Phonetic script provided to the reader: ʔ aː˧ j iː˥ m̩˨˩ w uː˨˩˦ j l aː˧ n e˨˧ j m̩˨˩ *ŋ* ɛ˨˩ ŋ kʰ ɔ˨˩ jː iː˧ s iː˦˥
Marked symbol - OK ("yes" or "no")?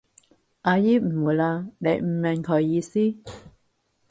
no